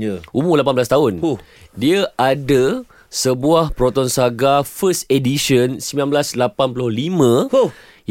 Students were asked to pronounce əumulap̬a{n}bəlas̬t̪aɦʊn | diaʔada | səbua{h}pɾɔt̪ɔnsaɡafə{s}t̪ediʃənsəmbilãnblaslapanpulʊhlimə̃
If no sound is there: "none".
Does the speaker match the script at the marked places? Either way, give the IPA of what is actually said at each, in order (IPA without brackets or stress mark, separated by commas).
n, h, s